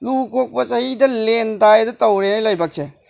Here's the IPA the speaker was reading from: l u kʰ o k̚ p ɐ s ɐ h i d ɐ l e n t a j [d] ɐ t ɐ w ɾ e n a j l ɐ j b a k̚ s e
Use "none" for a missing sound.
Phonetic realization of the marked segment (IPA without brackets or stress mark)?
d